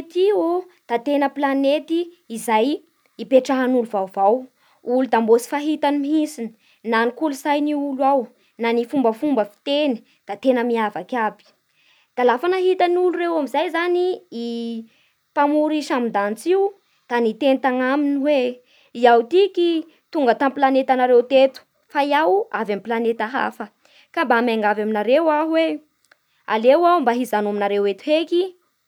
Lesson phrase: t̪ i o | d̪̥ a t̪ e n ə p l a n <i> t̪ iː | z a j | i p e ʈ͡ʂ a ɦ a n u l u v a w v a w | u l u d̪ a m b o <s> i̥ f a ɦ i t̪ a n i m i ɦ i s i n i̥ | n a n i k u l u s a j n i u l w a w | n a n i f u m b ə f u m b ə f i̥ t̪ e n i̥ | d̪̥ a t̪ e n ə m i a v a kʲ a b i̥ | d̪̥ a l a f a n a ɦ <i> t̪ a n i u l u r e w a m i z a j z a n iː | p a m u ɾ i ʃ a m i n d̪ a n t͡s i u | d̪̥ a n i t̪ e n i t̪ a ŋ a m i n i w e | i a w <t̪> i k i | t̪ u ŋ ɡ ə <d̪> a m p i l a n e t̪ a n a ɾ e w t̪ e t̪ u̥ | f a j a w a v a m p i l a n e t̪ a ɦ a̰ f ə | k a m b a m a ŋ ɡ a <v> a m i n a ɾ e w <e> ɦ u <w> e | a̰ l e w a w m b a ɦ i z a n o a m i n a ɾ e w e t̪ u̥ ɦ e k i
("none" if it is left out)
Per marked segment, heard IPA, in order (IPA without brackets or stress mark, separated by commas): e, s, i, t̪, t̪, v, a, w